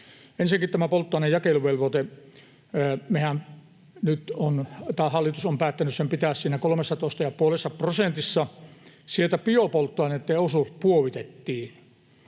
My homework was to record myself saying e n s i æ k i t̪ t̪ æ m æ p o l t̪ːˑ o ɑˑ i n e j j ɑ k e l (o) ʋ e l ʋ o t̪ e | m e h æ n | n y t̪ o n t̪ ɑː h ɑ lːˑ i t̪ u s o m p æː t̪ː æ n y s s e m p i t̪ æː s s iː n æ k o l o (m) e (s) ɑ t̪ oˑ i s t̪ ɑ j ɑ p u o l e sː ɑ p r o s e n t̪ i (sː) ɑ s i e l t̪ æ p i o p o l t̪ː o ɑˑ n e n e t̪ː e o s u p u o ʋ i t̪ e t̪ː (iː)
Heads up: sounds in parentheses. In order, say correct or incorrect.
incorrect, correct, incorrect, correct, correct

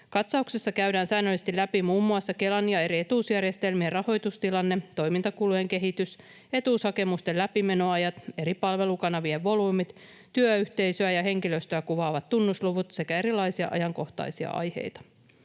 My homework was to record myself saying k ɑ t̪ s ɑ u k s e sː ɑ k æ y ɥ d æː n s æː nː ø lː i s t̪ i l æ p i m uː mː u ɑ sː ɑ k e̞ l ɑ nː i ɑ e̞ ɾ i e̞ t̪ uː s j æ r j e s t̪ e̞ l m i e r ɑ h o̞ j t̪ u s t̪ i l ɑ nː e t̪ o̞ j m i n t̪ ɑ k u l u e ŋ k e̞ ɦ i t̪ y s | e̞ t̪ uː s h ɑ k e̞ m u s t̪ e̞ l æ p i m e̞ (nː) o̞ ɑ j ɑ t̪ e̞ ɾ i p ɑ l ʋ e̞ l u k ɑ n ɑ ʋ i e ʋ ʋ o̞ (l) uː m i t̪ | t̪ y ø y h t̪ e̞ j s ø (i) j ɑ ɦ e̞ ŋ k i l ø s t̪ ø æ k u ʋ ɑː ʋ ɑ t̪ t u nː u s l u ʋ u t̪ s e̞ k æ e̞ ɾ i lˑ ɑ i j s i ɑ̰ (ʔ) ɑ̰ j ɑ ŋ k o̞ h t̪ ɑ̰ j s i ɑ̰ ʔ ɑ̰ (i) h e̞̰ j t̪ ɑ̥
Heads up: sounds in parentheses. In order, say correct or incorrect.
incorrect, correct, incorrect, correct, incorrect

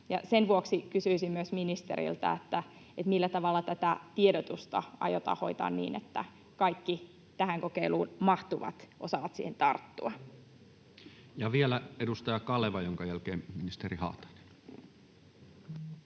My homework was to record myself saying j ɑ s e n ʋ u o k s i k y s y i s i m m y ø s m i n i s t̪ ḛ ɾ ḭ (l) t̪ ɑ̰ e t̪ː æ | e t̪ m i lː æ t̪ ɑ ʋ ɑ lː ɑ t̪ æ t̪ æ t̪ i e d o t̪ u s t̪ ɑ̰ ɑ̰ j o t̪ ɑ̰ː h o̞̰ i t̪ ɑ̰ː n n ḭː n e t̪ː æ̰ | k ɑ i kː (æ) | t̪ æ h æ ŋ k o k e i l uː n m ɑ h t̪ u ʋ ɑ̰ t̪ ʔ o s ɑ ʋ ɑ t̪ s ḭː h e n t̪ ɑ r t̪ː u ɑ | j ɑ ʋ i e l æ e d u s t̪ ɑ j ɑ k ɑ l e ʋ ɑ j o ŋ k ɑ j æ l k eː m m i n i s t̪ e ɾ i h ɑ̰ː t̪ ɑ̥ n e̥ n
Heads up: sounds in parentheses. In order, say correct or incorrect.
correct, incorrect

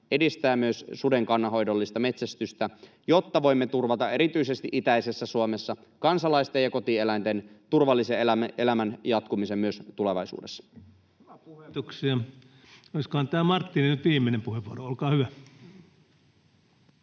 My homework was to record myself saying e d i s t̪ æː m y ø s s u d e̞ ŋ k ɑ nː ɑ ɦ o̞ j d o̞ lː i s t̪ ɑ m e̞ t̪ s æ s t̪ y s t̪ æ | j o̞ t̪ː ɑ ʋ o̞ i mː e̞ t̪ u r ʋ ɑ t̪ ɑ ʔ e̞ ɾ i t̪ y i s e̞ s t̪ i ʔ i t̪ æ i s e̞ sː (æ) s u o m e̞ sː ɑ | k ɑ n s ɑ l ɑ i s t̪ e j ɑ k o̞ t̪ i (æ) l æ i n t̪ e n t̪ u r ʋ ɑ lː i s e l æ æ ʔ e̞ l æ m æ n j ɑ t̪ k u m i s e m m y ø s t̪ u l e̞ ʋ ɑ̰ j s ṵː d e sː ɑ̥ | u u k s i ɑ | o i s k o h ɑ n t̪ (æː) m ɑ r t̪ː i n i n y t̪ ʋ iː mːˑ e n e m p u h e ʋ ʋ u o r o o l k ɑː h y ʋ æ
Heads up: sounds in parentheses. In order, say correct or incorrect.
correct, incorrect, correct

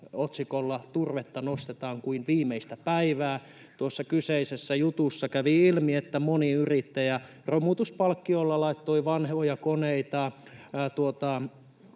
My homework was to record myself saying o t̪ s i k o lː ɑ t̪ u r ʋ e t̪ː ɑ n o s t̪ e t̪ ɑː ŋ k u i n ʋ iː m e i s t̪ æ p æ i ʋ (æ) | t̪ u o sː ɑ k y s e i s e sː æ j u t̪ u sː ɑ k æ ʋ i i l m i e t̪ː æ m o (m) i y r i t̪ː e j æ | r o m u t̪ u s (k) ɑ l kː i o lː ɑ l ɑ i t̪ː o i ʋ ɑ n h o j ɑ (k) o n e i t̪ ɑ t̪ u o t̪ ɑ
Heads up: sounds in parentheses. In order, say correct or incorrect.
incorrect, incorrect, incorrect, correct

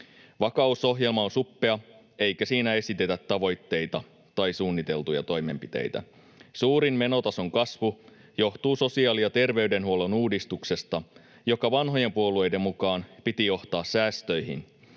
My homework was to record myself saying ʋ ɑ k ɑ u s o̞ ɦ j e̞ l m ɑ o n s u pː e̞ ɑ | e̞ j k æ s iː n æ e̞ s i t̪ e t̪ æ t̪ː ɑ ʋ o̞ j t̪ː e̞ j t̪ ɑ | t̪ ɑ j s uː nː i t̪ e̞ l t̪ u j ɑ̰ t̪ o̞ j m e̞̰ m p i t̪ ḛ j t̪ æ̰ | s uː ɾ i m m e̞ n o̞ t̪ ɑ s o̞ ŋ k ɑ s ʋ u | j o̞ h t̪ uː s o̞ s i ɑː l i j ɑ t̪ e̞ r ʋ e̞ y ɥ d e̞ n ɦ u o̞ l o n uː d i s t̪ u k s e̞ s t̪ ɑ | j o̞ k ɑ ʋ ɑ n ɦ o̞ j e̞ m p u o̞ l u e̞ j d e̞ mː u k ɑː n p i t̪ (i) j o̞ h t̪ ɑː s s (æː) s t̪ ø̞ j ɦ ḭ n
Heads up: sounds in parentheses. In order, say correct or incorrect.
correct, correct

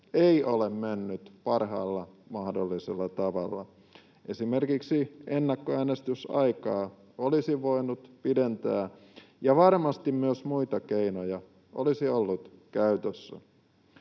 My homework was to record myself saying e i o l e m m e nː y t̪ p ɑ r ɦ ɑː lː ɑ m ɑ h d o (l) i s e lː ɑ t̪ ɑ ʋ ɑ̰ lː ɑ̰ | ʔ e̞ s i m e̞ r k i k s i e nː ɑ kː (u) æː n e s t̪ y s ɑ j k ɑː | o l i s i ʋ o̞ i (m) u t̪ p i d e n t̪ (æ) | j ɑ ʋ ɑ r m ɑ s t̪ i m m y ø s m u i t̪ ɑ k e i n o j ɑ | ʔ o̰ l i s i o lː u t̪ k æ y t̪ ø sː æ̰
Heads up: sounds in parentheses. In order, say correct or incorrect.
incorrect, incorrect, incorrect, incorrect

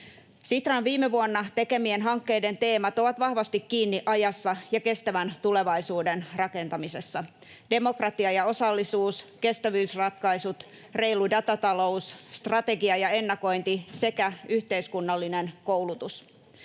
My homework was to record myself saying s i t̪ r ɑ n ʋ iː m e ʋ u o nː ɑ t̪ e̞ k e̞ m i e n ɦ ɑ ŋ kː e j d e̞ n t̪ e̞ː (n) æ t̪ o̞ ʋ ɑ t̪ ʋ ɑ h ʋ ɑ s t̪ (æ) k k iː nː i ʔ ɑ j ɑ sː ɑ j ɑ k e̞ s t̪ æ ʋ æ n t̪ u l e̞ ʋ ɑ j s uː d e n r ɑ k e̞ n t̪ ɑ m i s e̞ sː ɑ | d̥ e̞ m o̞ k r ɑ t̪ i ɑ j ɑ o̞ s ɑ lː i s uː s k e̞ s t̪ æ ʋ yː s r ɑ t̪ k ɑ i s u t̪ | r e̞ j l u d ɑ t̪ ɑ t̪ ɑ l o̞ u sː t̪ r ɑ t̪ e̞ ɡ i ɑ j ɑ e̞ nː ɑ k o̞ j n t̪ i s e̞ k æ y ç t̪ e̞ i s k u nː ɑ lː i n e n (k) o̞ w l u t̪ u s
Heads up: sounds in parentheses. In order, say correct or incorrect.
incorrect, incorrect, correct

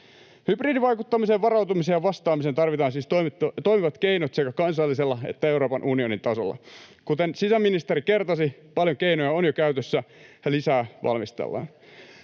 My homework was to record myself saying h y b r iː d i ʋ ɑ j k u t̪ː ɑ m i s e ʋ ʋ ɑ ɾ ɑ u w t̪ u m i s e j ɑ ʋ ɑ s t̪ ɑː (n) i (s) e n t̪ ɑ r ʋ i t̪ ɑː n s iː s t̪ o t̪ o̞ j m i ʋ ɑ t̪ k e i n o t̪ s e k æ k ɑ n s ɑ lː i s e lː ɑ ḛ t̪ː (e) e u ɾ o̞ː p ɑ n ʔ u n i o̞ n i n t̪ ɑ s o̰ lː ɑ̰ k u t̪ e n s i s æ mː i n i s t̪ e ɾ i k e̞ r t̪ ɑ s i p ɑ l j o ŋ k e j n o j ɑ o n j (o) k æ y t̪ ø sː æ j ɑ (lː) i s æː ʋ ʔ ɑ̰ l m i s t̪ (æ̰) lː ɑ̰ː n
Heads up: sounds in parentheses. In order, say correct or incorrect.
incorrect, correct, incorrect, correct, incorrect, incorrect

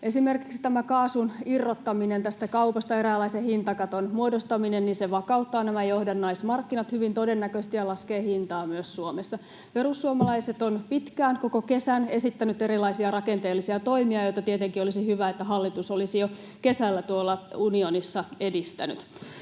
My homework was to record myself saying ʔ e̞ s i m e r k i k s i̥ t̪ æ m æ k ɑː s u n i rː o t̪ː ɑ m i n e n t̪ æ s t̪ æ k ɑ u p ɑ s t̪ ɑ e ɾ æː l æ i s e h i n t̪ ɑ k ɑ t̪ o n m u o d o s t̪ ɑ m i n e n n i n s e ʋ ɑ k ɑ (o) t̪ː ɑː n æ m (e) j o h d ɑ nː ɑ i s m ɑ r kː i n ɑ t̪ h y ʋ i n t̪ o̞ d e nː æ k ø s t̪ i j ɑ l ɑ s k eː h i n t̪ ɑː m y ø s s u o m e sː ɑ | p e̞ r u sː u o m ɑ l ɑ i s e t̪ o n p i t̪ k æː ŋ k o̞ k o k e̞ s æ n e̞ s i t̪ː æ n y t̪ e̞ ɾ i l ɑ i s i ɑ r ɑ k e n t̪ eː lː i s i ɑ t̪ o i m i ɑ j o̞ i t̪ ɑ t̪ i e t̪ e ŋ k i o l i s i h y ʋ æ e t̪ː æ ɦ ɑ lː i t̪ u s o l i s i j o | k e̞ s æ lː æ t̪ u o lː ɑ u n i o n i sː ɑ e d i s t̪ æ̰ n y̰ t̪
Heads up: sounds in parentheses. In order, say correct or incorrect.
incorrect, incorrect

